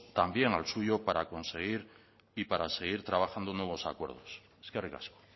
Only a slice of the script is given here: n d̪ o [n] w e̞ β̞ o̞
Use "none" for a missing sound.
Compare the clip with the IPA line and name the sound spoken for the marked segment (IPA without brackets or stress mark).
n